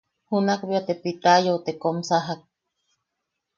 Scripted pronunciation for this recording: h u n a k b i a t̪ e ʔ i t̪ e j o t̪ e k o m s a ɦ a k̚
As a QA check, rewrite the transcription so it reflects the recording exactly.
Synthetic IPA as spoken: h u n a k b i a t̪ e p i t̪ a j o t̪ e k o m s a ɦ a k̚